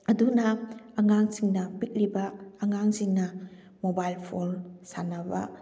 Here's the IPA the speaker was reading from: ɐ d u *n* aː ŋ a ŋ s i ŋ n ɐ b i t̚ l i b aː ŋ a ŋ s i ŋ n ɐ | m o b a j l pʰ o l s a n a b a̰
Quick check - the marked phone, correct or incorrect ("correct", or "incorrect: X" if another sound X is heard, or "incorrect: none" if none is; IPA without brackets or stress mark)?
correct